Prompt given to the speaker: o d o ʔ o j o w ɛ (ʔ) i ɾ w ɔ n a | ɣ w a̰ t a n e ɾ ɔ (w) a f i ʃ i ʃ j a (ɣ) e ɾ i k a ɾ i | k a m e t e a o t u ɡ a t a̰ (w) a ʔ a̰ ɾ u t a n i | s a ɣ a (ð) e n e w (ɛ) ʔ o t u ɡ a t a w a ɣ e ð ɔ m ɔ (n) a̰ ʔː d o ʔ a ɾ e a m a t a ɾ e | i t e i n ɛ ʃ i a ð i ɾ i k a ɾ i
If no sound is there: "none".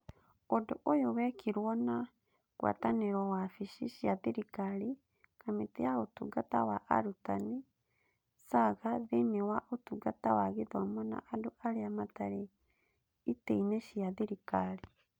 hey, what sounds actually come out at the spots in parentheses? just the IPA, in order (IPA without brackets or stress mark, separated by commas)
k, w, ð, w, ð, a, n